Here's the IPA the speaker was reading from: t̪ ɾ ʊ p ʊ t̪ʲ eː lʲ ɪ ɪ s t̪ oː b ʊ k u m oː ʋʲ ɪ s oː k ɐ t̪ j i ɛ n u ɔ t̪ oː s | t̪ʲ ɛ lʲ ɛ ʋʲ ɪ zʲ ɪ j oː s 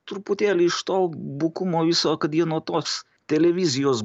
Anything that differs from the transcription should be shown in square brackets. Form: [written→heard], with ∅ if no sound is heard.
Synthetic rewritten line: t̪ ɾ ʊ p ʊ t̪ʲ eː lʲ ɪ ɪ [s→ʃ] t̪ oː b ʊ k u m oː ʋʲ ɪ s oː k ɐ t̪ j i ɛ n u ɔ t̪ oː s | t̪ʲ ɛ lʲ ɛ ʋʲ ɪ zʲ ɪ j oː s